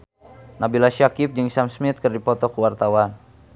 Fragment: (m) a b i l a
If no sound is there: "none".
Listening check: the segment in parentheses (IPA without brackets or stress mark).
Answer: n